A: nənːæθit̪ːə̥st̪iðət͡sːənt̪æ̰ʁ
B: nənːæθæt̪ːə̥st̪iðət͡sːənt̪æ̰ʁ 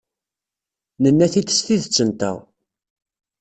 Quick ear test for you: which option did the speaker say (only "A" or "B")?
A